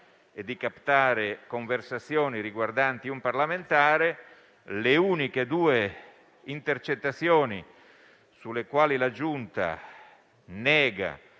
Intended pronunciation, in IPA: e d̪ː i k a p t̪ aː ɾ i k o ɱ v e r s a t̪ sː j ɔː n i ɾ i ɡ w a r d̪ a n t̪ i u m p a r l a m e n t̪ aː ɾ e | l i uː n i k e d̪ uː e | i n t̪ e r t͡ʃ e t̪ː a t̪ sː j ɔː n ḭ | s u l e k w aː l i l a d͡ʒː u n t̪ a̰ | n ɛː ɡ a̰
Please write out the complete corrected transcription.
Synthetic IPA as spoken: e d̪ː i k a p t̪ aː ɾ e k o ɱ v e r s a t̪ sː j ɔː n i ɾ i ɡ w a r d̪ a n t̪ i u m p a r l a m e n t̪ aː ɾ e | l e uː n i k e d̪ uː e | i n t̪ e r t͡ʃ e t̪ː a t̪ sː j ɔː n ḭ | s u l e k w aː l i l a d͡ʒ u n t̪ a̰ | n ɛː ɡ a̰